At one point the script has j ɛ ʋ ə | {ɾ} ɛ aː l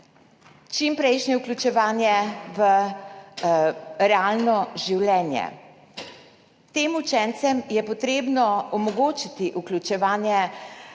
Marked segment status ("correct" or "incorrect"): correct